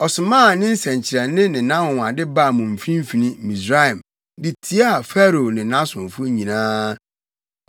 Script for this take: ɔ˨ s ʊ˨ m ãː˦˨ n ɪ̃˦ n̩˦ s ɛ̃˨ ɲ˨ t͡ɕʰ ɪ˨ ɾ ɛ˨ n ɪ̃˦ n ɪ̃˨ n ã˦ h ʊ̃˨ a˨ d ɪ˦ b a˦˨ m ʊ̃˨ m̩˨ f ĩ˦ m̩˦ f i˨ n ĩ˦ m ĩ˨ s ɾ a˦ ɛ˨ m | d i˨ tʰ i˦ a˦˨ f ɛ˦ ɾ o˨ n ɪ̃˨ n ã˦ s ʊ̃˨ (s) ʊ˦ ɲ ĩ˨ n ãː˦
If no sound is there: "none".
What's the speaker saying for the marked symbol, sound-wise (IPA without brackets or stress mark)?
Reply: f